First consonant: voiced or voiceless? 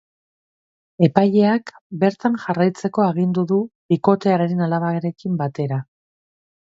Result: voiceless